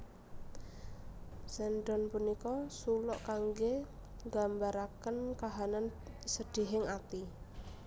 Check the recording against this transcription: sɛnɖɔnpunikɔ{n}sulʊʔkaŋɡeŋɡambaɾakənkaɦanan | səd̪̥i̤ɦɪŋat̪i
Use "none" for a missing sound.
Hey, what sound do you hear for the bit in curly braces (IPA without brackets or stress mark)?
none